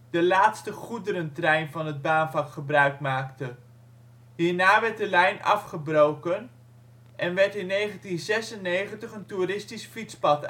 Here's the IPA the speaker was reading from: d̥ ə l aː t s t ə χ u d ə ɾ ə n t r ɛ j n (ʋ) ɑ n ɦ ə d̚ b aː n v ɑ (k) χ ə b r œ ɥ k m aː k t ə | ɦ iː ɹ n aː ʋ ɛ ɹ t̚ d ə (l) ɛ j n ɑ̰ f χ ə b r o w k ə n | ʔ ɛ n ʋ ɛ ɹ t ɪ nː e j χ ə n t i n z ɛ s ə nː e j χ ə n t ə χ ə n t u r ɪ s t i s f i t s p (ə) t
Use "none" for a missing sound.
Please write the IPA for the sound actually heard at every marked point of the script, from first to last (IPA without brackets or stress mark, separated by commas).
v, k, l, ɑ